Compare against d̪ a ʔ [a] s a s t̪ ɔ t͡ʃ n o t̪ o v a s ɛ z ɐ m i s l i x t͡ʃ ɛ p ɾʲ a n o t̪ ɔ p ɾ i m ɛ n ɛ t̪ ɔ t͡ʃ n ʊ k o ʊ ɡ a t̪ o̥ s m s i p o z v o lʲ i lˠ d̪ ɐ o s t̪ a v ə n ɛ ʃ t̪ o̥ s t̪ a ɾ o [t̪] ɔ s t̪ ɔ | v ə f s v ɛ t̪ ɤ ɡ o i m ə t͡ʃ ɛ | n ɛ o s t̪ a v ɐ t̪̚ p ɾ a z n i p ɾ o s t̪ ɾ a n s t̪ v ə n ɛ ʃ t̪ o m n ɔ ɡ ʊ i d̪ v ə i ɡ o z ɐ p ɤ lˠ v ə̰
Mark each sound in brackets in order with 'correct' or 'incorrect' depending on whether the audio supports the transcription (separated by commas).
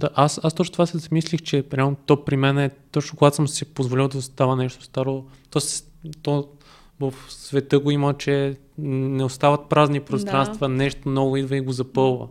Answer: correct, correct